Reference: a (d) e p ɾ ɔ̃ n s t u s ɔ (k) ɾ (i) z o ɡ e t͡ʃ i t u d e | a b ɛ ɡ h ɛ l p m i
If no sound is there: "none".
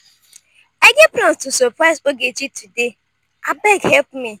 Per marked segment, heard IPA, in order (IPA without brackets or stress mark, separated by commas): ɡ, p, a